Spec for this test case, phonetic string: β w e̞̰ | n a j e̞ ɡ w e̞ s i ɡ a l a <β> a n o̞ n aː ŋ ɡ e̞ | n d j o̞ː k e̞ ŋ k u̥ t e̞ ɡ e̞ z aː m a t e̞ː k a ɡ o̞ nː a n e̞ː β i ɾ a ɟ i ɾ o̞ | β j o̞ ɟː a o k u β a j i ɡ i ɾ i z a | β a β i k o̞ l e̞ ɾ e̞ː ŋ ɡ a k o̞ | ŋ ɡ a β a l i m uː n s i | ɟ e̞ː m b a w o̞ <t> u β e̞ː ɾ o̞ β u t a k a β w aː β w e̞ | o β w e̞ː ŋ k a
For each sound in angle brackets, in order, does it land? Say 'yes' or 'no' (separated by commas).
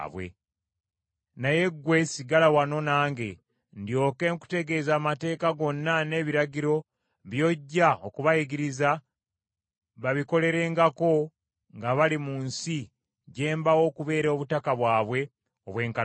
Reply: no, no